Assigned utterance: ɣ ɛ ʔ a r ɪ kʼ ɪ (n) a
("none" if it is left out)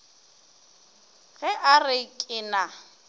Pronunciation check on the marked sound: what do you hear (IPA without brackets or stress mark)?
n